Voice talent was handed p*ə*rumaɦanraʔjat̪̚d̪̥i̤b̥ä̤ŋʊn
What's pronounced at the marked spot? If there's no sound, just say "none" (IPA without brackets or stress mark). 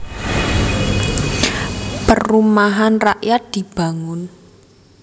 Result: ə